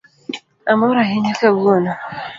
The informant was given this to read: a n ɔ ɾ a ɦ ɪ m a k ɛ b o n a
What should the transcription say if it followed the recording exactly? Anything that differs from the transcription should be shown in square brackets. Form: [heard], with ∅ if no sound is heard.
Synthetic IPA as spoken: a [m] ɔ ɾ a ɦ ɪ [ɲ] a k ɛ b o n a